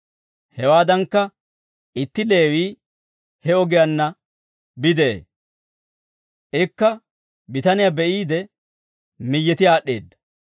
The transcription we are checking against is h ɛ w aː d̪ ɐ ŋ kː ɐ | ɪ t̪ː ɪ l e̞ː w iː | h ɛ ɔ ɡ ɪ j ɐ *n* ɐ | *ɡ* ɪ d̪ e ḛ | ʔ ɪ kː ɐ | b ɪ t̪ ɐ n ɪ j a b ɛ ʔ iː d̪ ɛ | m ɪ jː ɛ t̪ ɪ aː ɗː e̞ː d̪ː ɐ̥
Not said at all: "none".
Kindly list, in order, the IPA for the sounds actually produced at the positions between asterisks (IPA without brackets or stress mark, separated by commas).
nː, b